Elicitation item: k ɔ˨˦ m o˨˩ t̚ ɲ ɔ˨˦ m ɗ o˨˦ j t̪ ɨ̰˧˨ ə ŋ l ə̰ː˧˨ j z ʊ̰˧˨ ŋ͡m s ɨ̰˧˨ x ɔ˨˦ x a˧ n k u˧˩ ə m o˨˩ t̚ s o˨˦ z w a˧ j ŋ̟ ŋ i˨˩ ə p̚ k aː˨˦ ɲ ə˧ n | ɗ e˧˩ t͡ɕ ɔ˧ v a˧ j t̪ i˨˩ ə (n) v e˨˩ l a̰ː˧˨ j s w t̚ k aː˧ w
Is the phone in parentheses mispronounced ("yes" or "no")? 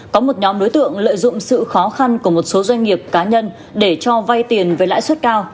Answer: no